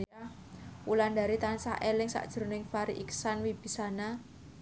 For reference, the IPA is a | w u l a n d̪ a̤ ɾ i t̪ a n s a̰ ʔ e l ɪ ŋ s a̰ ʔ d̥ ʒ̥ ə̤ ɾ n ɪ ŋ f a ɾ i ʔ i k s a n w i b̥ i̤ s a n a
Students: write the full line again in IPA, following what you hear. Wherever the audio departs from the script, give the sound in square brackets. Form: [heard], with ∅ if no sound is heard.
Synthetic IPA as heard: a | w u l a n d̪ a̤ ɾ i t̪ a n s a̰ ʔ e l ɪ ŋ s a̰ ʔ d̥ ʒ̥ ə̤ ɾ n ɪ ŋ f a ɾ i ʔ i k s a n w i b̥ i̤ s a n a